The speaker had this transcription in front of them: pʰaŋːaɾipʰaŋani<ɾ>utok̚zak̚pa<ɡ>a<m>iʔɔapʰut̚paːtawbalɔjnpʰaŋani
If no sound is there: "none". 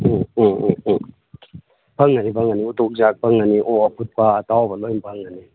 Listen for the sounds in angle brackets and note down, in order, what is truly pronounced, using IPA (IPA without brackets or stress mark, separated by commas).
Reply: none, ŋ, n